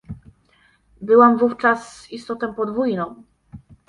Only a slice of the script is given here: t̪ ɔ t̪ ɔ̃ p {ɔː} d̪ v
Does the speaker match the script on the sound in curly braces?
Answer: no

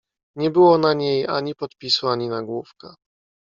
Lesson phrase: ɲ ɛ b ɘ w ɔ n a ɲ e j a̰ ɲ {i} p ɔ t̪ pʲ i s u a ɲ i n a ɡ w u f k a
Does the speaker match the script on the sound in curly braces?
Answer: yes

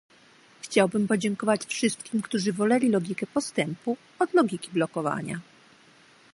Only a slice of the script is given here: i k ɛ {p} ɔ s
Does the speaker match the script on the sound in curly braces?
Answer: yes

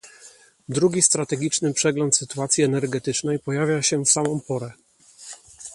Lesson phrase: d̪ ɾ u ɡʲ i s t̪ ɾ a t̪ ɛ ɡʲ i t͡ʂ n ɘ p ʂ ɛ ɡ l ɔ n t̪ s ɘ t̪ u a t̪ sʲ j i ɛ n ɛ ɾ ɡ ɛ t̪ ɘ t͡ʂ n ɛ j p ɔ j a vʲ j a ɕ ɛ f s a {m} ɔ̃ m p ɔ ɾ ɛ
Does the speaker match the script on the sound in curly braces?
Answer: yes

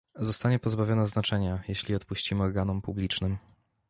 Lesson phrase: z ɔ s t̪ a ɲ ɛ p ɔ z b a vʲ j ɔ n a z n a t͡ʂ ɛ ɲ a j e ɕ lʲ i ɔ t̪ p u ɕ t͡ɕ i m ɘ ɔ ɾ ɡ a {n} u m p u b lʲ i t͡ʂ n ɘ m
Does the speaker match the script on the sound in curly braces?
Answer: yes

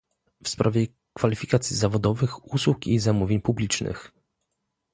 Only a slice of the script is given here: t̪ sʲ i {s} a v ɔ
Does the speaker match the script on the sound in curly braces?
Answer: no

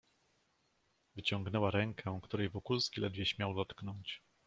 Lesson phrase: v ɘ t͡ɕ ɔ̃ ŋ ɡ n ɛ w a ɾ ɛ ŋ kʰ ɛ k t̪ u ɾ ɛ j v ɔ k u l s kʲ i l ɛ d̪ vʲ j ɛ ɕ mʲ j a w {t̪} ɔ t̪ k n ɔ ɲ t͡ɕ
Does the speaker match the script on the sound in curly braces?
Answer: no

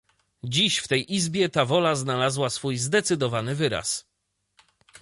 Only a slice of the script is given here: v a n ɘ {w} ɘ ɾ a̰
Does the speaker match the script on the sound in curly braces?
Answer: no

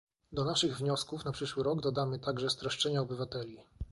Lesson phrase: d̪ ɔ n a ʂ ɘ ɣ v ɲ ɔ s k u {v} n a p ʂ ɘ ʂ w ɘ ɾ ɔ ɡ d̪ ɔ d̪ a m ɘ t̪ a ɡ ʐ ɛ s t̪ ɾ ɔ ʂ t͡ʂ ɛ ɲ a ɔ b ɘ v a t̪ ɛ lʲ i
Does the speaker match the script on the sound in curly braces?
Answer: no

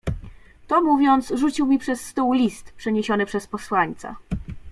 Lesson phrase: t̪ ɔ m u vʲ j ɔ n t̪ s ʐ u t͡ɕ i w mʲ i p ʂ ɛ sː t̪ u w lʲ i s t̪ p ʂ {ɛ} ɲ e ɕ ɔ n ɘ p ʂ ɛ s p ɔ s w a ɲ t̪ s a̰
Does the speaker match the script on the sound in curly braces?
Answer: yes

